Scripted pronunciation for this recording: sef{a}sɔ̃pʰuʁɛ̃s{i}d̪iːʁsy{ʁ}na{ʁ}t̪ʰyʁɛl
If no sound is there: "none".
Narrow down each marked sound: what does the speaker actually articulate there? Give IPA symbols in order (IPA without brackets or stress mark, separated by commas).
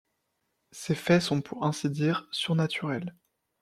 ɛ, i, ʁ, none